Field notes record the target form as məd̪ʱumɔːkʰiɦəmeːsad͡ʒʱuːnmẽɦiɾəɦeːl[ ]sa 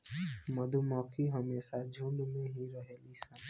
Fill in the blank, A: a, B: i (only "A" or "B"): B